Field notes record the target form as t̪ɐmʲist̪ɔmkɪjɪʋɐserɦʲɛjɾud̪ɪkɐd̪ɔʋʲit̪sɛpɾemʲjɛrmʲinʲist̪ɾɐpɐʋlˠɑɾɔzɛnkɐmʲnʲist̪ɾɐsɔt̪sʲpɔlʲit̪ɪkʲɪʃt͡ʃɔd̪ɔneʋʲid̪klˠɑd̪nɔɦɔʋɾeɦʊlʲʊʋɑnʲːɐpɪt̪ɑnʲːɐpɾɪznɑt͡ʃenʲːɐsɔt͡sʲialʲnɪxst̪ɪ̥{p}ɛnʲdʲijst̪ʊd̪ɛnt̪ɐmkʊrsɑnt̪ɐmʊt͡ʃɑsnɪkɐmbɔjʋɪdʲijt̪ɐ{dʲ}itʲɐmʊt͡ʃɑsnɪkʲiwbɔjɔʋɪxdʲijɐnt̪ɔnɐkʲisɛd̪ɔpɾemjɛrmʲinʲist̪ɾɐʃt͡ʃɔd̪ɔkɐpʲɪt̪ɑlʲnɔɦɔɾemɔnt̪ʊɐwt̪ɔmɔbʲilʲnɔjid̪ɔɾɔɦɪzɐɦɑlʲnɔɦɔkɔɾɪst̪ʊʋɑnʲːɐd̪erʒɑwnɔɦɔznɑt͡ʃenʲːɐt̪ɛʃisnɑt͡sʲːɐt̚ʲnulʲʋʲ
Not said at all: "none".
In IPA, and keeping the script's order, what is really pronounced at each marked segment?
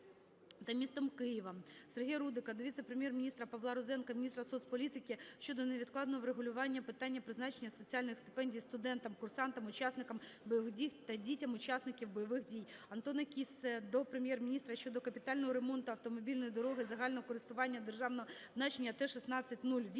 p, dʲ

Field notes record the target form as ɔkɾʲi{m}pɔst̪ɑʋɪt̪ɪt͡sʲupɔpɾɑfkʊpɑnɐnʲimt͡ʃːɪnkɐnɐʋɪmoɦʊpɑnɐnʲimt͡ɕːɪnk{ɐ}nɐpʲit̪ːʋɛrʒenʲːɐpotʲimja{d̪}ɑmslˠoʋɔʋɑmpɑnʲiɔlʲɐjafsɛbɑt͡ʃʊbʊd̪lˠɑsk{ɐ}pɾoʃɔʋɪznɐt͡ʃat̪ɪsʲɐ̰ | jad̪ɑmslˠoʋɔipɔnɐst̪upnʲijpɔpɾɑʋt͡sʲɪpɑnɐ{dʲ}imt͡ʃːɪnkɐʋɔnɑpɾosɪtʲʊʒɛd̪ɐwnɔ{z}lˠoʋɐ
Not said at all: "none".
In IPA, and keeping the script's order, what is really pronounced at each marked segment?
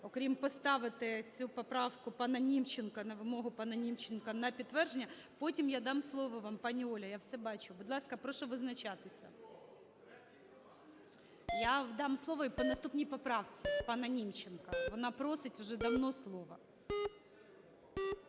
m, ɐ, d̪, ɐ, nʲ, s

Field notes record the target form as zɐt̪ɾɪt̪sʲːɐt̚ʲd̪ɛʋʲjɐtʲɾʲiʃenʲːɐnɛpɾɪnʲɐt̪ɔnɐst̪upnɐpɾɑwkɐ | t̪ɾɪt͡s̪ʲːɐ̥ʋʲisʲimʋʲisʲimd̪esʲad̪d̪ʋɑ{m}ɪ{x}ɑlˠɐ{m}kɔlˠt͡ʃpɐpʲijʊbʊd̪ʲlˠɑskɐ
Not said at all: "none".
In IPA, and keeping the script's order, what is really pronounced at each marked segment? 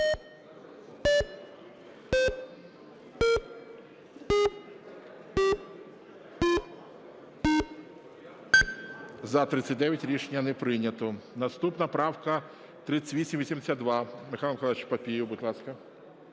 m, x, m

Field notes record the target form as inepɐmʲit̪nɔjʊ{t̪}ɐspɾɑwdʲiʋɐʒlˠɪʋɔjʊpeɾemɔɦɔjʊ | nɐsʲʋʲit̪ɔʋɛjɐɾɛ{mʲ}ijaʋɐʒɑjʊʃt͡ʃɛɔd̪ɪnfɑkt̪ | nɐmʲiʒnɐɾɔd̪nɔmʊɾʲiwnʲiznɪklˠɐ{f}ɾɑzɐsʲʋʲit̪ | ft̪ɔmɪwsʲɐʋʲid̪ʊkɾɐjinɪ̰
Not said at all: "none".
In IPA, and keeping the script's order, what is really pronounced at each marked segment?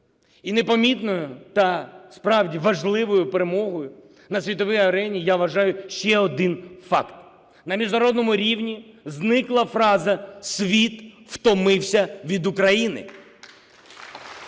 t̪, nʲ, f

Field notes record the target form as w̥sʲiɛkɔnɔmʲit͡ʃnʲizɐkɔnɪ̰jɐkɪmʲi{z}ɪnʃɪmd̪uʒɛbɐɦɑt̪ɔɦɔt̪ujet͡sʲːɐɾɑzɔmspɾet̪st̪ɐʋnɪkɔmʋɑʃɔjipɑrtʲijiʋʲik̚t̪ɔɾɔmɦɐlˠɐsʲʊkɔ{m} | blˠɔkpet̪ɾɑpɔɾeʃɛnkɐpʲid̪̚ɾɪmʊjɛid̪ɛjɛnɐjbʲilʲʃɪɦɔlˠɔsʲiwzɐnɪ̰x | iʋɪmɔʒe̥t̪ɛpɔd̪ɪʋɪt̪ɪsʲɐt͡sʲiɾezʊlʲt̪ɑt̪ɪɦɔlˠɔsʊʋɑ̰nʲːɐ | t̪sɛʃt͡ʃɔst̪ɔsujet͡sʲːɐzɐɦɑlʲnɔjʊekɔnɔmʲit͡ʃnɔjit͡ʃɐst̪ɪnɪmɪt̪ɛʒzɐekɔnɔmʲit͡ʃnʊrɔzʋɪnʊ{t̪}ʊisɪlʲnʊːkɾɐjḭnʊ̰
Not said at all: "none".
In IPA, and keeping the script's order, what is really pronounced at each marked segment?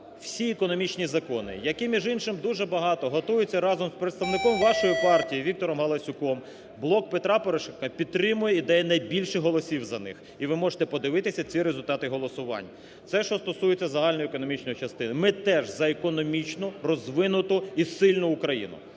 ʒ, m, t̪

